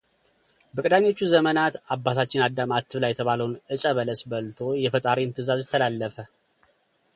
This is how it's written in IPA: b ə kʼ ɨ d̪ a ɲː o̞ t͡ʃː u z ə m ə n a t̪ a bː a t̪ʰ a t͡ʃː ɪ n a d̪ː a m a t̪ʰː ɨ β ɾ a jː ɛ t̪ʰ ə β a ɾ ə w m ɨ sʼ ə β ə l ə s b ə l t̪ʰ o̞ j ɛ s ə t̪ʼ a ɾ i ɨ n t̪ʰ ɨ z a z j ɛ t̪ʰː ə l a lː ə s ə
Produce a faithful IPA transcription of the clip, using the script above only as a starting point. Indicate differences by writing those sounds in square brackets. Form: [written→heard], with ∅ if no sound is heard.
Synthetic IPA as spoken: b ə kʼ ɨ d̪ a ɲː o̞ t͡ʃː u z ə m ə n a t̪ a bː a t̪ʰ a t͡ʃː ɪ n a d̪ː a m a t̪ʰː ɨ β [ɾ→l] a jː ɛ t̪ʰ ə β a [ɾ→l] ə w [m→n] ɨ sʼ ə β ə l ə s b ə l t̪ʰ o̞ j ɛ [s→f] ə t̪ʼ a ɾ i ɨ n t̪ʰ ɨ z a z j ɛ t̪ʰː ə l a lː ə [s→f] ə